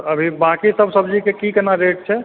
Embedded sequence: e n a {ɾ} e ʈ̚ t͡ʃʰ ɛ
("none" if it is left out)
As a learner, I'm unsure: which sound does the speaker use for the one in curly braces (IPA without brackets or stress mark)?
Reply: ɾ